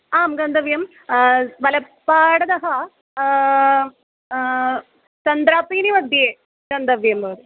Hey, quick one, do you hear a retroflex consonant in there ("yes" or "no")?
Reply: yes